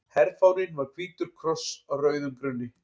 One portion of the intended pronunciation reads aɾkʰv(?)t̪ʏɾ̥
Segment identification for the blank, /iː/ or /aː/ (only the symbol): iː